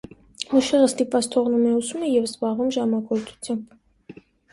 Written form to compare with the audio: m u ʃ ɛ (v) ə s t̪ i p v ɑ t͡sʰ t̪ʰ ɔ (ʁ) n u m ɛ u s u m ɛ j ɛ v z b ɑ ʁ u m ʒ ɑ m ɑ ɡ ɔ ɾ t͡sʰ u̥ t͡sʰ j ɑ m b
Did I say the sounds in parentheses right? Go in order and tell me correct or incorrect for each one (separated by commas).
incorrect, correct